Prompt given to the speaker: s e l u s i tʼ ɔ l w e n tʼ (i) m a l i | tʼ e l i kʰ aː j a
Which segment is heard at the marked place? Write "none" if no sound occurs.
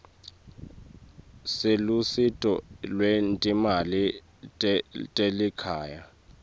i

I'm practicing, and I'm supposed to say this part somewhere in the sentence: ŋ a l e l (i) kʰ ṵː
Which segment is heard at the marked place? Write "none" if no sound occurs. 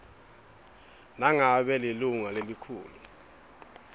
i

